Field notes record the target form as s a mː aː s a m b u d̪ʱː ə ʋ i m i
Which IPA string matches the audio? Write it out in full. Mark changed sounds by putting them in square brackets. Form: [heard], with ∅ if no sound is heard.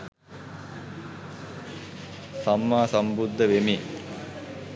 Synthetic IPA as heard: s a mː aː s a m b u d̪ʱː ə ʋ [e] m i